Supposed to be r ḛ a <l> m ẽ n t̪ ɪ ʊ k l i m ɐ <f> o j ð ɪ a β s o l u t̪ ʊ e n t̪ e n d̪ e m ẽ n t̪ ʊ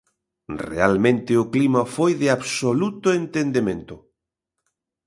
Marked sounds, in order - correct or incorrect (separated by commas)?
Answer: correct, correct